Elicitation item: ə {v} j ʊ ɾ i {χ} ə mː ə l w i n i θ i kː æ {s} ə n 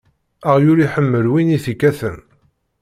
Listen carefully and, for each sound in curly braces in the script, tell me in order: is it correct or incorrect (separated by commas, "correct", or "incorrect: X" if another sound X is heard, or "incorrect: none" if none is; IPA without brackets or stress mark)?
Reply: incorrect: ʁ, incorrect: ħ, incorrect: θ